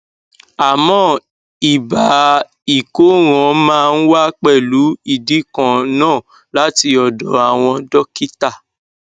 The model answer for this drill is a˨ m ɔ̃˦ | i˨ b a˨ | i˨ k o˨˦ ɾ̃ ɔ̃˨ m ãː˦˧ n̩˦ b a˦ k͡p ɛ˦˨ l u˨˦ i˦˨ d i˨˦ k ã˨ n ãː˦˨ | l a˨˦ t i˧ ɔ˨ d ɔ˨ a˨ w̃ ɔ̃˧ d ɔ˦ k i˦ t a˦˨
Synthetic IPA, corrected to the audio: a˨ m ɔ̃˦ | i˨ b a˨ | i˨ k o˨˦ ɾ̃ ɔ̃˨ m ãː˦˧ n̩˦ w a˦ k͡p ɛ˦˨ l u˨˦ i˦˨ d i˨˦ k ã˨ n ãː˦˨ | l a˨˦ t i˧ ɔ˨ d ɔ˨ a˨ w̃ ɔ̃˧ d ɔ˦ k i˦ t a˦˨